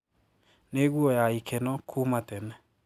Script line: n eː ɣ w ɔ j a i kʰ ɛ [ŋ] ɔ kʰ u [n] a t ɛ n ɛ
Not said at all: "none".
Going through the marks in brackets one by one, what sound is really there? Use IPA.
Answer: n, m

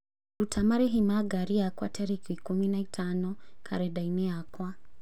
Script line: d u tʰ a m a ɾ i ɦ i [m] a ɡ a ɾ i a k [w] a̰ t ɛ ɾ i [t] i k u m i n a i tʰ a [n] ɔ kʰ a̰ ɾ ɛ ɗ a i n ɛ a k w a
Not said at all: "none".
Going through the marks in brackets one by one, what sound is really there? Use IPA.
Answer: m, w, k, n

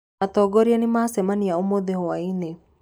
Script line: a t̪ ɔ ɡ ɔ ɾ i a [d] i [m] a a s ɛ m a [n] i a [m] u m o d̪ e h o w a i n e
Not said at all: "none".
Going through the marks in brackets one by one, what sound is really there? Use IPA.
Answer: n, m, n, none

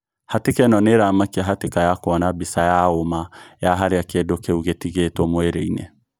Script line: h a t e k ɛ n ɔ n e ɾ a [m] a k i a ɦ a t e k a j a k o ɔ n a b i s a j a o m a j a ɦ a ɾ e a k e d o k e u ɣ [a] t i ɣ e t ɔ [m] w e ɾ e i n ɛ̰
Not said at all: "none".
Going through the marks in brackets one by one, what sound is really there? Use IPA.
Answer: m, e, m

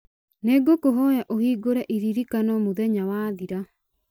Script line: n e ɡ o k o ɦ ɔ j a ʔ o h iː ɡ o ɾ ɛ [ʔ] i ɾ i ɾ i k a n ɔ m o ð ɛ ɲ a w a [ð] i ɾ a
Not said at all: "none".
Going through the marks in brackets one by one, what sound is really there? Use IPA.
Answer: ʔ, ð

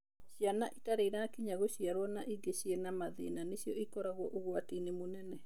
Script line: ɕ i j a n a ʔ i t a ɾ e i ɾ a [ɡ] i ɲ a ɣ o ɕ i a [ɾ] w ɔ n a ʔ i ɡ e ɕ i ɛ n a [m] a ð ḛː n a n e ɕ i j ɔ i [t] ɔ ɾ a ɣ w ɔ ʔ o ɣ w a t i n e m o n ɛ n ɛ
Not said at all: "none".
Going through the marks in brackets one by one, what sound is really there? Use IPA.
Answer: k, ɾ, m, k

